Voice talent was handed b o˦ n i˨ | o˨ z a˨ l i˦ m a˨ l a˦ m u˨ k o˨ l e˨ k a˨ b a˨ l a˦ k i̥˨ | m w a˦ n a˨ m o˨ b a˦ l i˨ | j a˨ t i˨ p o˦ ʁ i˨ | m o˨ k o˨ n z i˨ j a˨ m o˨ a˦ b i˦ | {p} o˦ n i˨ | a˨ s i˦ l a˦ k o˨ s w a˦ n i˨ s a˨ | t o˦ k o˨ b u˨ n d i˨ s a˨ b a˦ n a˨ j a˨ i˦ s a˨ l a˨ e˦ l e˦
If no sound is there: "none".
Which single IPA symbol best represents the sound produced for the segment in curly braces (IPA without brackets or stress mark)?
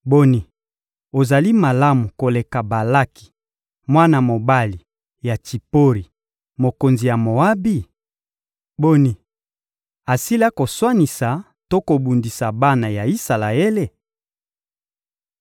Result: b